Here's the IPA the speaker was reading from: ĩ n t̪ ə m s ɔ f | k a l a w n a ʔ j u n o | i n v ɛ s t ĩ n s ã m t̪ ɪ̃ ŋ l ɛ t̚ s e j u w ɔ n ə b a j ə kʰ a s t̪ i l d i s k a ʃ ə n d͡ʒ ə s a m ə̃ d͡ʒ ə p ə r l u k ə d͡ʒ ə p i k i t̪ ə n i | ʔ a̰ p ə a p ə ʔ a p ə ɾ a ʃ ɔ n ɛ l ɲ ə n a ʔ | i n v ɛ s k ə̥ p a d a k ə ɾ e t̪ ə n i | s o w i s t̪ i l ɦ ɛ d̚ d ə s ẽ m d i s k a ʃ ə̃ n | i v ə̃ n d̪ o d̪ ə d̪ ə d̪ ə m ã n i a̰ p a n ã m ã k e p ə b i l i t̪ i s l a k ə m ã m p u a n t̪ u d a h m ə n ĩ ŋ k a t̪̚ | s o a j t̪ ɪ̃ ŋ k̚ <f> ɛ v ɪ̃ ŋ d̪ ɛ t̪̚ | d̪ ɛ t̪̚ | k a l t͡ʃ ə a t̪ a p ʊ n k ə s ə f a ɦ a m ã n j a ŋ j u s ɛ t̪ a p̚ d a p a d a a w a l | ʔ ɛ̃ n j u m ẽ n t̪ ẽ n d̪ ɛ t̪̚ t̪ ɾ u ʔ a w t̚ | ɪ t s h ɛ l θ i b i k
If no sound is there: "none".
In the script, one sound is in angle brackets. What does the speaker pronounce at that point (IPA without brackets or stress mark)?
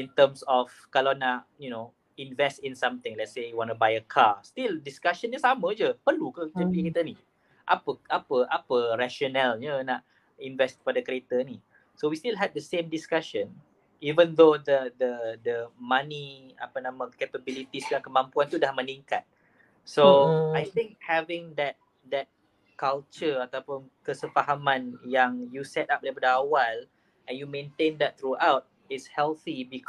h